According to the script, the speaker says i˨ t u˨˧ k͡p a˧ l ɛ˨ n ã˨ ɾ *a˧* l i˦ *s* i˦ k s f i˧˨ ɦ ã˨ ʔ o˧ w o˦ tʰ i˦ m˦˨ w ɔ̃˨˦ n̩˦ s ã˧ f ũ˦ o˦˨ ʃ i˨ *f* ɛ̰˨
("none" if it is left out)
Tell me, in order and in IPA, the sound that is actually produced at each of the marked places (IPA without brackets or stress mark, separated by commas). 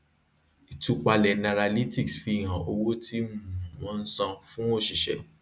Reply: a˧, t, ʃ